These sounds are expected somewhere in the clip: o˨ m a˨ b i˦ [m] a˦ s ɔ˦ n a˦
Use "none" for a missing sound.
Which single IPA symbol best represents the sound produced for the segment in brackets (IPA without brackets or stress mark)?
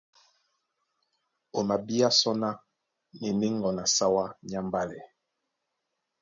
none